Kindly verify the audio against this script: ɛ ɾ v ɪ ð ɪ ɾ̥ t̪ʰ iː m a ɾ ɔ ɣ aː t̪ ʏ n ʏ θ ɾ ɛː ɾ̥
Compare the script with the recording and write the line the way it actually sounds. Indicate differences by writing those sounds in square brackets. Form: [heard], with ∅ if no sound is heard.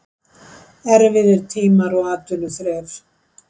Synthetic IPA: ɛ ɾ v ɪ ð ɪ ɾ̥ t̪ʰ iː m a ɾ ɔ ɣ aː t̪ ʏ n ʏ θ ɾ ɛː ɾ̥